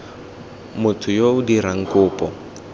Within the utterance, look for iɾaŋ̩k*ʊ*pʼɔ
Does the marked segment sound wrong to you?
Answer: yes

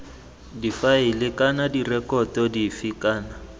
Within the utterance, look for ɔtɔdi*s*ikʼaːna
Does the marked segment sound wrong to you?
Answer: yes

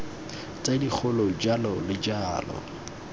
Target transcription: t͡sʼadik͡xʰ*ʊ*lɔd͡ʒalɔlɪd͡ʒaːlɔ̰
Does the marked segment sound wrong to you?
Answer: no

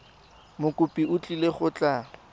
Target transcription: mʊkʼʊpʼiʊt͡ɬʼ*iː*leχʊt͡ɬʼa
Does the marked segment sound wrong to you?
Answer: yes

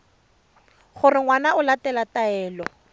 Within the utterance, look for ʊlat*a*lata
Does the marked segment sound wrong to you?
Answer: yes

